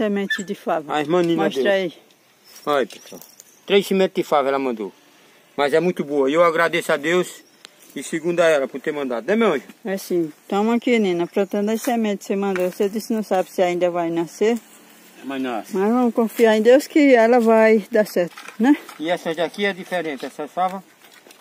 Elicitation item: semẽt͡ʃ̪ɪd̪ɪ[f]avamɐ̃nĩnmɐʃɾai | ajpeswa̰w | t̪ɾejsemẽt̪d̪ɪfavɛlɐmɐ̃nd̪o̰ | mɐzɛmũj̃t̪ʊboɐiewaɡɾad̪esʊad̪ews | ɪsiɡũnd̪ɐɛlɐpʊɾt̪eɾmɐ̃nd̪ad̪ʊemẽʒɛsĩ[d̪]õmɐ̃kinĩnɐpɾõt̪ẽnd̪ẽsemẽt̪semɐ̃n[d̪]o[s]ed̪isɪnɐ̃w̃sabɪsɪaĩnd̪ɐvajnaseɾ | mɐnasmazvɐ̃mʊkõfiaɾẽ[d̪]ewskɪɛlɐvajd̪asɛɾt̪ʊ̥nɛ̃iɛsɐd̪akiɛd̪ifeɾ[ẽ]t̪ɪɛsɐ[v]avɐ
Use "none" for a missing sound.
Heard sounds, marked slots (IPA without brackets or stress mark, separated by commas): f, t̪, d̪, s, d̪, ẽ, f